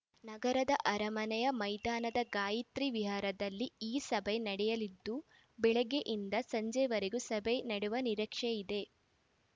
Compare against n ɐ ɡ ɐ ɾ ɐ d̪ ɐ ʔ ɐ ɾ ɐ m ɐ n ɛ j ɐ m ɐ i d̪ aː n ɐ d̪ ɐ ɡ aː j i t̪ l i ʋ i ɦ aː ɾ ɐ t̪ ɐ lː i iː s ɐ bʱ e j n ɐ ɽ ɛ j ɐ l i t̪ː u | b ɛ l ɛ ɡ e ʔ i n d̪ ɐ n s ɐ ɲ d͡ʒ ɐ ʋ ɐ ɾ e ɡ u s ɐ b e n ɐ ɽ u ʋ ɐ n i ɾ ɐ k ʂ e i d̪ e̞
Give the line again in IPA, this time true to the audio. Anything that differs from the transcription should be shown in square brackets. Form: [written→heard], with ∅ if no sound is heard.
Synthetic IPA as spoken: n ɐ ɡ ɐ ɾ ɐ d̪ ɐ ʔ ɐ ɾ ɐ m ɐ n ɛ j ɐ m ɐ [i→j] d̪ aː n ɐ d̪ ɐ ɡ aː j i t̪ [l→ɾ] i ʋ i ɦ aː ɾ ɐ [t̪→d̪] ɐ lː i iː s ɐ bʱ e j n ɐ ɽ ɛ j ɐ l i [t̪ː→d̪ː] u | b ɛ [l→ɭ] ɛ ɡ e ʔ i n d̪ ɐ [n→∅] s ɐ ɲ d͡ʒ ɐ ʋ ɐ ɾ e ɡ u s ɐ b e n ɐ ɽ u ʋ ɐ n i ɾ ɐ k ʂ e i d̪ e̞

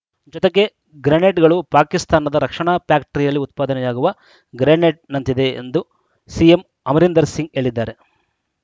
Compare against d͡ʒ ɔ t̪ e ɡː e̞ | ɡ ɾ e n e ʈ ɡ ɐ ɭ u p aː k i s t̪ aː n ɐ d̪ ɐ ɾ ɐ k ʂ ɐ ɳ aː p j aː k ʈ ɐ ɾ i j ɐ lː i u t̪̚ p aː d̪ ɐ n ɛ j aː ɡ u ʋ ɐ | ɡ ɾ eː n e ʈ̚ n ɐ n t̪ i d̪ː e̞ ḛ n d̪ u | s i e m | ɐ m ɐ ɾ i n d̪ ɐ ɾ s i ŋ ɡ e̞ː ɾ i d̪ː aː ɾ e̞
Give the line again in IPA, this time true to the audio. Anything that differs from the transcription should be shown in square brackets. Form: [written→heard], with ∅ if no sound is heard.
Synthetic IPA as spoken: d͡ʒ ɔ t̪ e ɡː e̞ | ɡ ɾ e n e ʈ ɡ ɐ ɭ u p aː k i s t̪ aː n ɐ d̪ ɐ ɾ ɐ k ʂ ɐ ɳ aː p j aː k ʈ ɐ ɾ i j ɐ lː i u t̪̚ p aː d̪ ɐ n ɛ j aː ɡ u ʋ ɐ | ɡ ɾ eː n e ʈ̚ n ɐ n t̪ i [d̪ː→d̪] e̞ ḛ n d̪ u | s i e m | ɐ m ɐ ɾ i n d̪ ɐ ɾ s i ŋ ɡ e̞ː [ɾ→ɭ] i d̪ː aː ɾ e̞

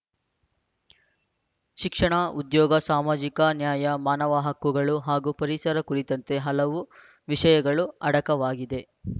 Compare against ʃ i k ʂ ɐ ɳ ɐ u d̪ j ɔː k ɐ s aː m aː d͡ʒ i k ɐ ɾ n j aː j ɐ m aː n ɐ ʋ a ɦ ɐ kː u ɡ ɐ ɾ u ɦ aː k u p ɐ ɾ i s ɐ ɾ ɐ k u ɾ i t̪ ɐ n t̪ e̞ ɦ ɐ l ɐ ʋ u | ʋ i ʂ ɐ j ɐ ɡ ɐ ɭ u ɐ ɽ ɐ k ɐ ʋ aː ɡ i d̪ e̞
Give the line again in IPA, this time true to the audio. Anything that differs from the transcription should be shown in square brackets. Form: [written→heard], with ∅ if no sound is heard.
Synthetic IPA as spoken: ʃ i k ʂ ɐ ɳ ɐ u d̪ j ɔː [k→ɡ] ɐ s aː m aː d͡ʒ i k ɐ [ɾ→∅] n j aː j ɐ m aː n ɐ ʋ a ɦ ɐ kː u ɡ ɐ [ɾ→ɭ] u ɦ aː [k→ɡ] u p ɐ ɾ i s ɐ ɾ ɐ k u ɾ i t̪ ɐ n t̪ e̞ ɦ ɐ l ɐ ʋ u | ʋ i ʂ ɐ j ɐ ɡ ɐ ɭ u ɐ ɽ ɐ k ɐ ʋ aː ɡ i d̪ e̞

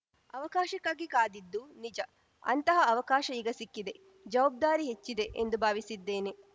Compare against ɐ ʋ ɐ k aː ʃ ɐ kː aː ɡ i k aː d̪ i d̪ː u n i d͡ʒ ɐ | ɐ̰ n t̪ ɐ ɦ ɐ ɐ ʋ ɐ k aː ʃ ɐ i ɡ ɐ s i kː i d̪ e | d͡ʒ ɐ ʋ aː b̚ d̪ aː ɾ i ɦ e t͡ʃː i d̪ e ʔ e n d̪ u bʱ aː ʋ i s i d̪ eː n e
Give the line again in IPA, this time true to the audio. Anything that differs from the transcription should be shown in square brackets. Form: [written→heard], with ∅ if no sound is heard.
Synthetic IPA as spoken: ɐ ʋ ɐ k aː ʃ ɐ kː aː ɡ i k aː d̪ i d̪ː u n i d͡ʒ ɐ | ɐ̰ n t̪ ɐ ɦ ɐ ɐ ʋ ɐ k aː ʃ ɐ i ɡ ɐ s i kː i d̪ e | d͡ʒ ɐ ʋ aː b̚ d̪ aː ɾ i ɦ e t͡ʃː i d̪ e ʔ e n d̪ u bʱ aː ʋ i s i [d̪→d̪ː] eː n e

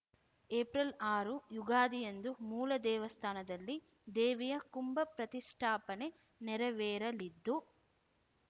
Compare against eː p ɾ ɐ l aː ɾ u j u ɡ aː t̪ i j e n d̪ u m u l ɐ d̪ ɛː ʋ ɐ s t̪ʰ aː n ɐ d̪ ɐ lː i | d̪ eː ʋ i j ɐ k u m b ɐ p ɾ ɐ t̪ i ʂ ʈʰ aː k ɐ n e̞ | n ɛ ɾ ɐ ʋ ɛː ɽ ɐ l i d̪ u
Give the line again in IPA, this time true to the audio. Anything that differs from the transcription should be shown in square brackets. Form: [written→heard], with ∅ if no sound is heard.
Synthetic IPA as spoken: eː p ɾ ɐ l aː ɾ u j u ɡ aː [t̪→d̪] i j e n d̪ u m [u→uː] l ɐ d̪ ɛː ʋ ɐ s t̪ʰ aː n ɐ d̪ ɐ lː i | d̪ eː ʋ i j ɐ k u m b ɐ p ɾ ɐ t̪ i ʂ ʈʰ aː [k→p] ɐ n e̞ | n ɛ ɾ ɐ ʋ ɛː [ɽ→ɾ] ɐ l i [d̪→d̪ː] u

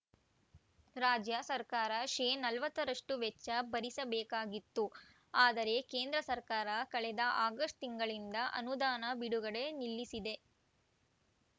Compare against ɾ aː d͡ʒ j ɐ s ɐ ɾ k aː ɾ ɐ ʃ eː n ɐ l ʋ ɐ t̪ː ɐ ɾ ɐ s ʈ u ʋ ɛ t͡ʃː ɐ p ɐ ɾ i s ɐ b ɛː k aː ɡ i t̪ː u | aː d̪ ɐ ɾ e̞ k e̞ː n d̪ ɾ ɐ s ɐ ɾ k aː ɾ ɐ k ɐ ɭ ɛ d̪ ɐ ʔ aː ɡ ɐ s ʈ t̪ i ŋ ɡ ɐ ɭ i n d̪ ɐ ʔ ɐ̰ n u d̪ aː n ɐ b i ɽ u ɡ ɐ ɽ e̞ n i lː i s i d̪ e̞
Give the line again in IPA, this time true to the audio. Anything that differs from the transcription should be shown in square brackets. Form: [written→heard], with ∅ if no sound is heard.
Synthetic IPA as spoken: ɾ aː d͡ʒ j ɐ s ɐ ɾ k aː ɾ ɐ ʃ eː n ɐ l ʋ ɐ t̪ː ɐ ɾ ɐ [s→ʂ] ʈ u ʋ ɛ t͡ʃː ɐ [p→b] ɐ ɾ i s ɐ b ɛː k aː ɡ i t̪ː u | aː d̪ ɐ ɾ e̞ k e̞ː n d̪ ɾ ɐ s ɐ ɾ k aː ɾ ɐ k ɐ ɭ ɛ d̪ ɐ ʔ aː ɡ ɐ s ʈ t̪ i ŋ ɡ ɐ ɭ i n d̪ ɐ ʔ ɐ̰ n u d̪ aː n ɐ b i ɽ u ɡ ɐ ɽ e̞ n i lː i s i d̪ e̞

